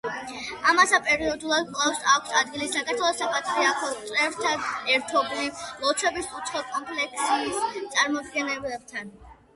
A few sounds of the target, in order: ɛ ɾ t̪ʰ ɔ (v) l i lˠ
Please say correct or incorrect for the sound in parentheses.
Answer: incorrect